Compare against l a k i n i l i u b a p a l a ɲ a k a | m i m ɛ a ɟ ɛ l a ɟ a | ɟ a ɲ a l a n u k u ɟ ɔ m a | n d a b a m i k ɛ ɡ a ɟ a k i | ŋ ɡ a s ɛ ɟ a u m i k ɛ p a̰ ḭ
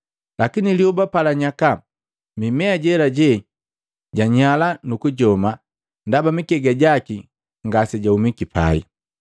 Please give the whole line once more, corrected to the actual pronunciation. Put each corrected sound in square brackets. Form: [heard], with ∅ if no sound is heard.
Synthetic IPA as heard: l a k i n i l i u b a p a l a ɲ a k a | m i m ɛ a ɟ ɛ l a ɟ [ɛ] | ɟ a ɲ a l a n u k u ɟ ɔ m a | n d a b a m i k ɛ ɡ a ɟ a k i | ŋ ɡ a s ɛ ɟ a u m i k [i] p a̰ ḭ